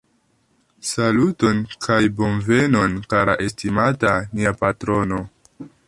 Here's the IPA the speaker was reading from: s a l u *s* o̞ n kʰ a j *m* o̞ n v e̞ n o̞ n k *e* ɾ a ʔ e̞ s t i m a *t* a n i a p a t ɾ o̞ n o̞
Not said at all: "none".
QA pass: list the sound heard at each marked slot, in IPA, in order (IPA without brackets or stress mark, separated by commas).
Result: t, b, a, t